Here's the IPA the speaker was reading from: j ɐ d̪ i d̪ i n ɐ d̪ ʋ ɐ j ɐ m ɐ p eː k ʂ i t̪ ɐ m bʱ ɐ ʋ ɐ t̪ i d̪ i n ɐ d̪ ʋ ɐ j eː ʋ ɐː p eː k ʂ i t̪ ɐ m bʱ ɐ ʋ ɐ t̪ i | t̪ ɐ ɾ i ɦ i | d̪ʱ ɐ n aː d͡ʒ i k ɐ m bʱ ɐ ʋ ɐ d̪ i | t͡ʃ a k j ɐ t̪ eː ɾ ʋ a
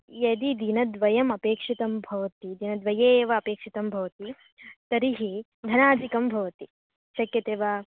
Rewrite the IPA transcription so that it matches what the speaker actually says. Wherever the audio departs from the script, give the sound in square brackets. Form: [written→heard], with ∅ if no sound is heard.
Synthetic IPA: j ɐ d̪ i d̪ i n ɐ d̪ ʋ ɐ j ɐ m ɐ p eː k ʂ i t̪ ɐ m bʱ ɐ ʋ ɐ t̪ i d̪ i n ɐ d̪ ʋ ɐ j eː ʋ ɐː p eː k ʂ i t̪ ɐ m bʱ ɐ ʋ ɐ t̪ i | t̪ ɐ ɾ i ɦ i | d̪ʱ ɐ n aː d͡ʒ i k ɐ m bʱ ɐ ʋ ɐ [d̪→t̪] i | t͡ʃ [a→ɐ] k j ɐ t̪ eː [ɾ→∅] ʋ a